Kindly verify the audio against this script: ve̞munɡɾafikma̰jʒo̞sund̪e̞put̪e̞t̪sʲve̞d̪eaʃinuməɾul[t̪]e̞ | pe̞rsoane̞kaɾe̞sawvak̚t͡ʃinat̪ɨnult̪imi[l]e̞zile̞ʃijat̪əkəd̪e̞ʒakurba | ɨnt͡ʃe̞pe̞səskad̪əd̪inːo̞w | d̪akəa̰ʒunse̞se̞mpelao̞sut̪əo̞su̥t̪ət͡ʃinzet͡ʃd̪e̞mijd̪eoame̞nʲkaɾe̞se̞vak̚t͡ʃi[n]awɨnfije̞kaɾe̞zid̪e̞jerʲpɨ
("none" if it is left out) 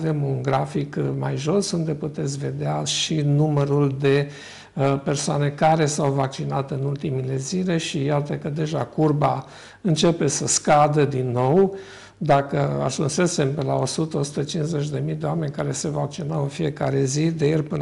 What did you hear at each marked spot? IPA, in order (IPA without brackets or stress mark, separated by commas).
d̪, l, n